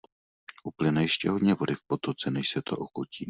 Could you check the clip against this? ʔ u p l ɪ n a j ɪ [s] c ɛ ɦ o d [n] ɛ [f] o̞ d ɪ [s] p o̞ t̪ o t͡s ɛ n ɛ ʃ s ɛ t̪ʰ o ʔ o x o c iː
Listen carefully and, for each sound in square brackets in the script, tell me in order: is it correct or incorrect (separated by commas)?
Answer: incorrect, incorrect, incorrect, incorrect